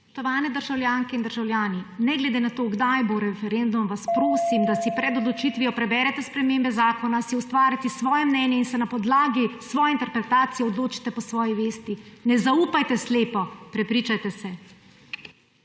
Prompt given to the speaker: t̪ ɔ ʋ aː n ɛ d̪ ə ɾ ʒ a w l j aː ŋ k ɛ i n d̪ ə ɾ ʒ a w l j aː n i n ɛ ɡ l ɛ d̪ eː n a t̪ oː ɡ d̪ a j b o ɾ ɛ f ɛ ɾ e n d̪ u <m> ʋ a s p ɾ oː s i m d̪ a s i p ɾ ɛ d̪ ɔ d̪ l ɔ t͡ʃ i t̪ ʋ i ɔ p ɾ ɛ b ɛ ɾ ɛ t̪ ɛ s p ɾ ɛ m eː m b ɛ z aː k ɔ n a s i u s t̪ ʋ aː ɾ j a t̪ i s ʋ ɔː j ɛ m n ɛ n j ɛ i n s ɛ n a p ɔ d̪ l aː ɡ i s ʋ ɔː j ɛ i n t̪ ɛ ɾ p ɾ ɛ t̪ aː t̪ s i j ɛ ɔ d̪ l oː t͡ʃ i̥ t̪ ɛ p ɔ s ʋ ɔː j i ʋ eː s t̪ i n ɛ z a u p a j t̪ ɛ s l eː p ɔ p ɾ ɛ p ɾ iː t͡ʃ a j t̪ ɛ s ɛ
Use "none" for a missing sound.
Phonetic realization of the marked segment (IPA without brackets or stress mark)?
m